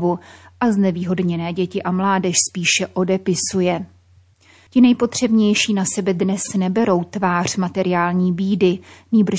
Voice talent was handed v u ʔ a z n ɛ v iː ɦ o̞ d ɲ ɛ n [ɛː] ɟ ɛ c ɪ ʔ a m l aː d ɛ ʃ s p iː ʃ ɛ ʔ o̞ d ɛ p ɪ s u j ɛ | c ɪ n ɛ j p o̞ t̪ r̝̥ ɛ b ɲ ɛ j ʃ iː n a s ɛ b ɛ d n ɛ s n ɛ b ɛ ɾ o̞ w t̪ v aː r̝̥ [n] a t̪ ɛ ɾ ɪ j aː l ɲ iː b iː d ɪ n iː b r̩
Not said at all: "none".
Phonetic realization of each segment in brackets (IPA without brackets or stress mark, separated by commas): ɛː, m